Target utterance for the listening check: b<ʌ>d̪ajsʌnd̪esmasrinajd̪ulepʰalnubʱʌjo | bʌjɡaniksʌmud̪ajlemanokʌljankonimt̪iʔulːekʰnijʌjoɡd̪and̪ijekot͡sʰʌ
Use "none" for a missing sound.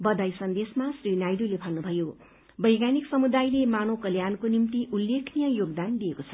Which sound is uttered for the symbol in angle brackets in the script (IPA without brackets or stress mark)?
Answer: ʌ